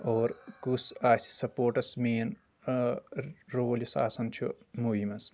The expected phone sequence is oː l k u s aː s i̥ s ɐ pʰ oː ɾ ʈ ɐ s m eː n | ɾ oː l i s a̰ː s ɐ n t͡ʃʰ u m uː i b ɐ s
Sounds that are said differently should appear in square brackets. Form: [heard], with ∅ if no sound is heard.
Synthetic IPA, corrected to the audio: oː [ɾ] k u s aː s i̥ s ɐ [p] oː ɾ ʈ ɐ s m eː n | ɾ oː l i s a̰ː s ɐ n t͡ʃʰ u m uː i [m] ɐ s